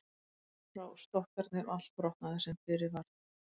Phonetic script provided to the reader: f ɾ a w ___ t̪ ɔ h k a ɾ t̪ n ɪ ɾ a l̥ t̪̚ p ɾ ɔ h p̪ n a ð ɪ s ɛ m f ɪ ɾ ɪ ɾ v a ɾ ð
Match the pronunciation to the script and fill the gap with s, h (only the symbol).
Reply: s